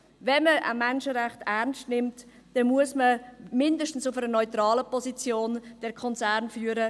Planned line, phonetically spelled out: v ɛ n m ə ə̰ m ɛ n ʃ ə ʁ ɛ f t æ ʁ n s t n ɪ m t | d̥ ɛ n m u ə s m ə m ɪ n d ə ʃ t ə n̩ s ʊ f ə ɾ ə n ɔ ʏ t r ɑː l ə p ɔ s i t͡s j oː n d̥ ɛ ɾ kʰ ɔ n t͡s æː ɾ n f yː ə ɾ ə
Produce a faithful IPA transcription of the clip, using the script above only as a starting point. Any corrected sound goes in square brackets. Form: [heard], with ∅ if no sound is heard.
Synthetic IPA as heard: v ɛ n m ə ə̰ m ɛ n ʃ ə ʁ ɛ [χ] t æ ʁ n s t n ɪ m t | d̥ ɛ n m u ə s m ə m ɪ n d ə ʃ t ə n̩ s ʊ f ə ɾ ə n ɔ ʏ t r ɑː l ə p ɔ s i t͡s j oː n d̥ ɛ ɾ kʰ ɔ n t͡s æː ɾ n f yː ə ɾ ə